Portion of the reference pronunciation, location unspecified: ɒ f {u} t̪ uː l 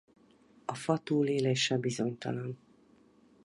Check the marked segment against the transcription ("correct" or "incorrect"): incorrect